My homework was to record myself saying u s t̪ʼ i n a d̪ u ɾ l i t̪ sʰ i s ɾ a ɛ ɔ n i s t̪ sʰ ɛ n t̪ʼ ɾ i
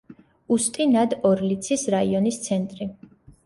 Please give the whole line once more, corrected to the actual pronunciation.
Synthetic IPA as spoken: u s t̪ʼ i n a d̪ ɔ ɾ l i t̪ sʰ i s ɾ a i ɔ n i s t̪ sʰ ɛ n t̪ʼ ɾ i